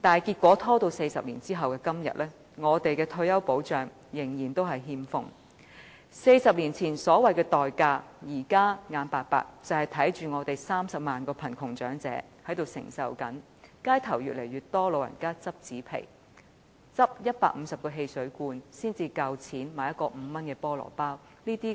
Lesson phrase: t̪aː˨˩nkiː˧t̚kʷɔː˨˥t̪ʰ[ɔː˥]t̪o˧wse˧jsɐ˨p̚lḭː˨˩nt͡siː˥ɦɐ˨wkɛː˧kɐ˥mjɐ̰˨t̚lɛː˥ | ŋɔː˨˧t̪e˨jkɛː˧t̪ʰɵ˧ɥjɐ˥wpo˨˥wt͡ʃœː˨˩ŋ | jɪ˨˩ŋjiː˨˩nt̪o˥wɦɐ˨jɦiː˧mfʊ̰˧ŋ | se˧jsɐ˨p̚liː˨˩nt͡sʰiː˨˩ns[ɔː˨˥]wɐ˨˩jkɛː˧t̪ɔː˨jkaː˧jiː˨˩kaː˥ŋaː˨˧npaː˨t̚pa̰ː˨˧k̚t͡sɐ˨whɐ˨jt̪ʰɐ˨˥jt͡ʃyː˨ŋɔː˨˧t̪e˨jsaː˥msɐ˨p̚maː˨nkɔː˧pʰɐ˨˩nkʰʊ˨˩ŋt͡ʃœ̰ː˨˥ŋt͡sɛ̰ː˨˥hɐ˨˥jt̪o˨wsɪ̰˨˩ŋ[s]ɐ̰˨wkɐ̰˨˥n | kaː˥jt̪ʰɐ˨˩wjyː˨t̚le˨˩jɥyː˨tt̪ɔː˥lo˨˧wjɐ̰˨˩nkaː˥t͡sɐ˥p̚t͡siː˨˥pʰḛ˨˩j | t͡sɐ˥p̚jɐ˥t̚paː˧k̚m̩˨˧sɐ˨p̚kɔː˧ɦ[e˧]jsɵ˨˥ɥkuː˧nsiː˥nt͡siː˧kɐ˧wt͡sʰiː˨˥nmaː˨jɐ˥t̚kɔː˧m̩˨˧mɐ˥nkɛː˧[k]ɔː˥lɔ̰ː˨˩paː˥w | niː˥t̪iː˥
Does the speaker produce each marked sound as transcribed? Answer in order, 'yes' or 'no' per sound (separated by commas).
yes, yes, yes, yes, no